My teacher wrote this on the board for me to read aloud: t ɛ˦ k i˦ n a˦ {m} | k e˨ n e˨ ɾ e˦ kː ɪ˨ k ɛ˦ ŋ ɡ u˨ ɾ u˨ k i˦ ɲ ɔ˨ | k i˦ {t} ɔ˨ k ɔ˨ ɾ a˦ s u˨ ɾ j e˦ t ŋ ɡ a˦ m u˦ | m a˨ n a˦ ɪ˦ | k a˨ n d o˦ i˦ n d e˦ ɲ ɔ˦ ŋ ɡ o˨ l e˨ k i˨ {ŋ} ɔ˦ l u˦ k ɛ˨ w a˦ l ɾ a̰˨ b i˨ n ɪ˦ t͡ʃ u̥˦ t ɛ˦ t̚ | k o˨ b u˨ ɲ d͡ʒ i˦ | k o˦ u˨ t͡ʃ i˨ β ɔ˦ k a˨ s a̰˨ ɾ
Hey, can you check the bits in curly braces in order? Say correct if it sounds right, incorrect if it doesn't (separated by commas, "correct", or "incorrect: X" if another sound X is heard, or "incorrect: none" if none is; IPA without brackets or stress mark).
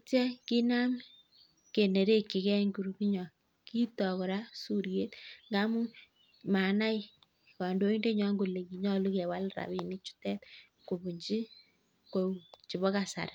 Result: correct, correct, incorrect: ɲ